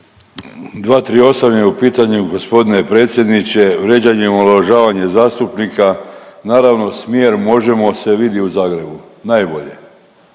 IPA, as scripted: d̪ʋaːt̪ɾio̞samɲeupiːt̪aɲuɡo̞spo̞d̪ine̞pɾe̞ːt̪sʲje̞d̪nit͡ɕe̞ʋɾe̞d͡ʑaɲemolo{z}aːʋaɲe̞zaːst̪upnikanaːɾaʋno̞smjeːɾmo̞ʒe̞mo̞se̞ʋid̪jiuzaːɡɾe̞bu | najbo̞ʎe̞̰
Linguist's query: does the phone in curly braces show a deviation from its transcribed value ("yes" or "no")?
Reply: yes